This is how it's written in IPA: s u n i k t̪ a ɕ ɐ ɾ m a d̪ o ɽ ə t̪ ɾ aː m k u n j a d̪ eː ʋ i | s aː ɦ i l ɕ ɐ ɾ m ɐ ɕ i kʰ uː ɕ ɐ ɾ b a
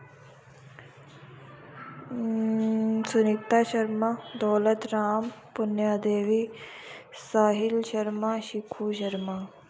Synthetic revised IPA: s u n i k t̪ a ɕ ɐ ɾ m a d̪ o l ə t̪ ɾ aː m p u n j a d̪ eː ʋ i | s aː ɦ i l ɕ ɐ ɾ m a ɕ i kʰ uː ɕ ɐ ɾ m a